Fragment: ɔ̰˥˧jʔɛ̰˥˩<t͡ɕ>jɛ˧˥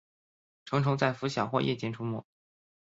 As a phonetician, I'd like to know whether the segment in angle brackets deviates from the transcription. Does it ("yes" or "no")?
no